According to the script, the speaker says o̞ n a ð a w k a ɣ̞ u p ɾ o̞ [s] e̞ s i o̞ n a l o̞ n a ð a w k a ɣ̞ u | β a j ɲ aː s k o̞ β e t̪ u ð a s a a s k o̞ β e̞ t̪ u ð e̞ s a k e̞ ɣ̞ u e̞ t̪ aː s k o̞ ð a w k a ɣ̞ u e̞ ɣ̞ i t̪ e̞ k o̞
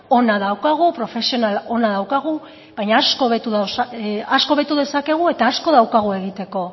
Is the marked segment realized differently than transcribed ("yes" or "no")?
yes